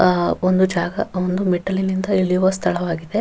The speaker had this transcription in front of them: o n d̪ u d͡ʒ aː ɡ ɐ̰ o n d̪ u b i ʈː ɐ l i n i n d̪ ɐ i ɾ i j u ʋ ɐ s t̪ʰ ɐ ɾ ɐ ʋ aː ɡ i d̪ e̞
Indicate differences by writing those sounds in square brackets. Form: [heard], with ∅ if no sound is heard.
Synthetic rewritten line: o n d̪ u d͡ʒ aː ɡ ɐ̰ o n d̪ u [m] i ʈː ɐ l i n i n d̪ ɐ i [ɭ] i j u ʋ ɐ s t̪ʰ ɐ [ɭ] ɐ ʋ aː ɡ i d̪ e̞